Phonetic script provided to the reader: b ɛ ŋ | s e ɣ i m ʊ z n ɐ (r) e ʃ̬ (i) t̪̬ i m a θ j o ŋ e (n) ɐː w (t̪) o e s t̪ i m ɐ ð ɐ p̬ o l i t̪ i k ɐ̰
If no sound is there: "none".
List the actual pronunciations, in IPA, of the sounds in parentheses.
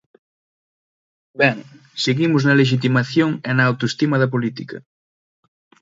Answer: l, i, n, t̪

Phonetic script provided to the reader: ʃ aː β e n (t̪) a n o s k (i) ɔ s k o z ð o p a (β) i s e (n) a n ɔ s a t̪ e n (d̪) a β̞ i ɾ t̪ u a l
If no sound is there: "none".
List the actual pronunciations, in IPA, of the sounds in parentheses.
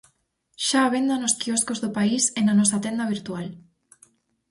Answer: d̪, i, none, n, d̪

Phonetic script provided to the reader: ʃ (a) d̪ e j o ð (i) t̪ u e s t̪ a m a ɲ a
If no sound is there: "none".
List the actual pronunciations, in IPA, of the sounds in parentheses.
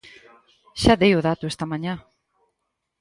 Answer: a, a

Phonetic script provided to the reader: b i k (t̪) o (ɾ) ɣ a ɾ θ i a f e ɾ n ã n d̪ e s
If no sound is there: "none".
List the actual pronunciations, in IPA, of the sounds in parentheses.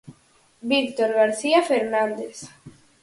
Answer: t̪, ɾ

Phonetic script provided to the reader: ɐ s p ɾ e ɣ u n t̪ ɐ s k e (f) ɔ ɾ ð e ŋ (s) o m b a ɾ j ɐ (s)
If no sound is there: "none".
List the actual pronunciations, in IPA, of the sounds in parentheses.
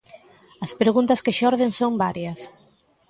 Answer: ʃ, s, s

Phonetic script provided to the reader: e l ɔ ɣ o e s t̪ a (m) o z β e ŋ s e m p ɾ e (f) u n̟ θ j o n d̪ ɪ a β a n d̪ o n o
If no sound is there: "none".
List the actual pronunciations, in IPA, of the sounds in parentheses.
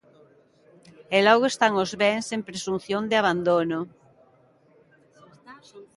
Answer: ŋ, s

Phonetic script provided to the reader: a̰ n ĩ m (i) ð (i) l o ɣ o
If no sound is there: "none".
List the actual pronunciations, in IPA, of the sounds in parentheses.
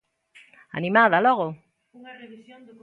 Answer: a, a

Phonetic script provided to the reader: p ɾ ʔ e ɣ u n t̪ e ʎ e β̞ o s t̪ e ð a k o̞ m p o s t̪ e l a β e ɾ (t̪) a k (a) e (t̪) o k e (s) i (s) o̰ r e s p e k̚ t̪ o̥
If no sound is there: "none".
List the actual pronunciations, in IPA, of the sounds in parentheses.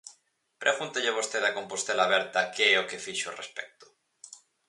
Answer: t̪, e, none, f, ʃ

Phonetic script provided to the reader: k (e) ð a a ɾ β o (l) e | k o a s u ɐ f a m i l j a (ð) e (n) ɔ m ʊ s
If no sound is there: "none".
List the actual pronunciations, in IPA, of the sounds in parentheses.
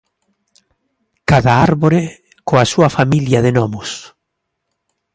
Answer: a, ɾ, ð, n

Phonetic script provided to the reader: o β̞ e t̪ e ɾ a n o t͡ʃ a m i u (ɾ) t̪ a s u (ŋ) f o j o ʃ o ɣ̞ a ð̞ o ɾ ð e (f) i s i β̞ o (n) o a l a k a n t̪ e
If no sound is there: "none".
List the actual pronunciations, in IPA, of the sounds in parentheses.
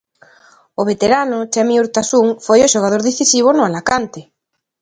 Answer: ɾ, ŋ, θ, n

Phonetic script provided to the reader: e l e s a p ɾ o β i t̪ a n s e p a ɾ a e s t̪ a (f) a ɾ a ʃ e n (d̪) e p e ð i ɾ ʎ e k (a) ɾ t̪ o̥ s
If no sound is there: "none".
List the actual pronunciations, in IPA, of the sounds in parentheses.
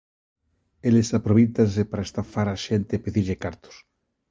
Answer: f, t̪, a

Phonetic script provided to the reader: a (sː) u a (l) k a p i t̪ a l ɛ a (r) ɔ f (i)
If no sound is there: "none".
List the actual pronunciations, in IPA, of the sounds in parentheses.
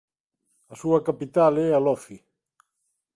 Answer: s, none, l, i

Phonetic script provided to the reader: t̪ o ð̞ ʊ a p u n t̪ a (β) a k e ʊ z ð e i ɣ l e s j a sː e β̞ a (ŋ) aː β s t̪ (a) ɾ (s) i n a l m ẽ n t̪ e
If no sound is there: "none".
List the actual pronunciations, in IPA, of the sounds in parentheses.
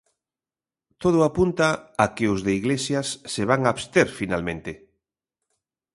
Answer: none, ŋ, e, f

